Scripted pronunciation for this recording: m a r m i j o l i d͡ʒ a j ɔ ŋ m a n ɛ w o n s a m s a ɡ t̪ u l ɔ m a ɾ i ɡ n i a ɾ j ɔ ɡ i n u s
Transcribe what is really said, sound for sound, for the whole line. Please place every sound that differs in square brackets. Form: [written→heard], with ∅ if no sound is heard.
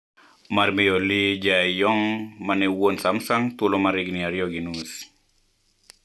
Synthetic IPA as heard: m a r m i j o l i d͡ʒ a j ɔ ŋ m a n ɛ w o n s a m s a [ɡ→ŋ] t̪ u l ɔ m a ɾ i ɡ n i a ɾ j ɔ ɡ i n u s